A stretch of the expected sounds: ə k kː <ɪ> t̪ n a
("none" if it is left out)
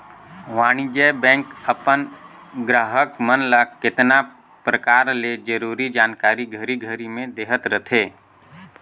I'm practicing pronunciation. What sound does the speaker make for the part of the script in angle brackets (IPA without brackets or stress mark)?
ɪ